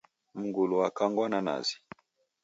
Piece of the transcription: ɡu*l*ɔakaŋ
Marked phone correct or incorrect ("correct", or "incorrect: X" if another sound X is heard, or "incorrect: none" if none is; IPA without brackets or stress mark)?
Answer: correct